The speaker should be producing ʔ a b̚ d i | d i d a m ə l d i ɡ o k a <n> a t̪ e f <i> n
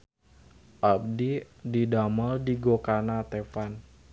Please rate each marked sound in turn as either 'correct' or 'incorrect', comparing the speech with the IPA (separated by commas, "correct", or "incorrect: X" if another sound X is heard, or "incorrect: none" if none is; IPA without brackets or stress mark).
correct, incorrect: a